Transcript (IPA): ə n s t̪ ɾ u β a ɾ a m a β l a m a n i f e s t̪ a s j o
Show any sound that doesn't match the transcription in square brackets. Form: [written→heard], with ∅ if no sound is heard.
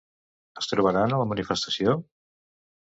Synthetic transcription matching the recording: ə [n→∅] s t̪ ɾ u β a ɾ a [m→n] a [β→∅] l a m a n i f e s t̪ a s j o